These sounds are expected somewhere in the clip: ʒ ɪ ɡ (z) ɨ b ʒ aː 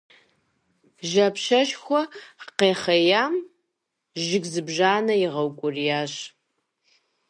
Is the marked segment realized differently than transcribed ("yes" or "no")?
no